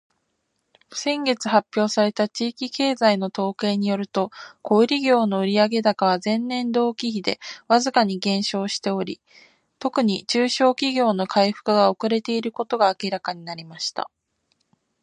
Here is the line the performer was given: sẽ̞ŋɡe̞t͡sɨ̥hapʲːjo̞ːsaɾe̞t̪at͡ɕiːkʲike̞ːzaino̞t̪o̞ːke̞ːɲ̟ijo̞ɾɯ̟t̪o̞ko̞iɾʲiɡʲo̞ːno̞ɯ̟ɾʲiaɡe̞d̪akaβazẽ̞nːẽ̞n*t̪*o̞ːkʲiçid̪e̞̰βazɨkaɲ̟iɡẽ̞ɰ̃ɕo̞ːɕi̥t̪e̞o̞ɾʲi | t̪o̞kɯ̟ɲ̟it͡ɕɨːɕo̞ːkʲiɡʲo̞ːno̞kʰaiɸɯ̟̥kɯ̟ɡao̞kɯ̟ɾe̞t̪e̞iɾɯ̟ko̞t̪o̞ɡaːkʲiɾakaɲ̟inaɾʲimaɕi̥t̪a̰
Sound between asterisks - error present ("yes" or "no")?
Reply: yes